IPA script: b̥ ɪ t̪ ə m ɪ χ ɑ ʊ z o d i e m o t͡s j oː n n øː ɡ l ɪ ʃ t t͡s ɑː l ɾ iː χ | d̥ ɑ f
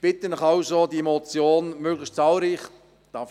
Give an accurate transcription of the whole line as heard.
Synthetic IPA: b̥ ɪ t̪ ə n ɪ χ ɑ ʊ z o d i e m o t͡s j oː n m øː ɡ l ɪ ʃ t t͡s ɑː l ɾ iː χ | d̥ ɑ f